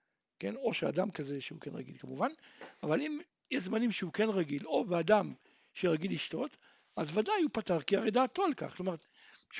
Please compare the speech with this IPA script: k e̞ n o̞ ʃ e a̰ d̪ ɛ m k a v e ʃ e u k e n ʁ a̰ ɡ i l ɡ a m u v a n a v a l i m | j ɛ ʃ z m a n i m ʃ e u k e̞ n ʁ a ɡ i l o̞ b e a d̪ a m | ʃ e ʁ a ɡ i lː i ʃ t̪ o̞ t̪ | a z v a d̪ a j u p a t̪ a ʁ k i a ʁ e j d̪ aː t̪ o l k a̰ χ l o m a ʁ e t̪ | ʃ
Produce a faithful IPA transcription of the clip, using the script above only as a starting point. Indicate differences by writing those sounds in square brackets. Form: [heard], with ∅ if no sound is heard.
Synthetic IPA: k e̞ n o̞ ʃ e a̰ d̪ [a] m k a [z] e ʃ e u k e n ʁ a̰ ɡ i l [k] a m u v a n a v a l i m | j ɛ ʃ z m a n i m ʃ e u k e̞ n ʁ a ɡ i l o̞ b e a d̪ a m | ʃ e ʁ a ɡ i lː i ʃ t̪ o̞ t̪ | a z v a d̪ a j u p a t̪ a ʁ k i a ʁ e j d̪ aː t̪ o l k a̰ χ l o m a ʁ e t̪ | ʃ